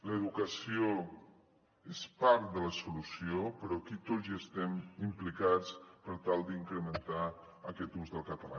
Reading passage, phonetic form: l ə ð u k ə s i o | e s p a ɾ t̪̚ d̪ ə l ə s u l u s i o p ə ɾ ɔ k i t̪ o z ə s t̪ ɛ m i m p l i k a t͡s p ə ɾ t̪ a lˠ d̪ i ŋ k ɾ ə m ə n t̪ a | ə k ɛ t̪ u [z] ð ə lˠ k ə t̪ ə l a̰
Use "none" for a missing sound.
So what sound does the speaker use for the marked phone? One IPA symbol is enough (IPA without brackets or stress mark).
z